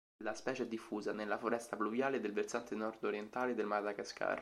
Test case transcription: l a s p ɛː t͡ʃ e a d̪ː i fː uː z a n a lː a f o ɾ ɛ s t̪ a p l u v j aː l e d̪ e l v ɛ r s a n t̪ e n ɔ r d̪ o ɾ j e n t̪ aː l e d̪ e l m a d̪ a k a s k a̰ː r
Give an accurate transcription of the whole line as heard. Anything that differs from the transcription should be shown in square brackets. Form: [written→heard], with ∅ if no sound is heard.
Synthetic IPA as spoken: l a s p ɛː t͡ʃ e [a→ɛ] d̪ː i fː uː z a n [a→e] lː a f o ɾ ɛ s t̪ a p l u v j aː l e d̪ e l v [ɛ→e] r s a n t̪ e n ɔ r d̪ o ɾ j e n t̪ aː l e d̪ e l m a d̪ a k a s k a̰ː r